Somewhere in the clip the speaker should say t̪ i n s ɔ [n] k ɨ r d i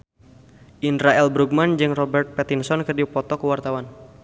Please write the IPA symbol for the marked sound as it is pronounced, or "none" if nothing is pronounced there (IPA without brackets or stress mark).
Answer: n